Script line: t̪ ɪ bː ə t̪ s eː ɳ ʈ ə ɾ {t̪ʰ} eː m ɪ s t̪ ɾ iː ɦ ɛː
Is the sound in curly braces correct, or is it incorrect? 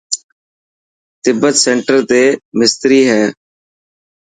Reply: incorrect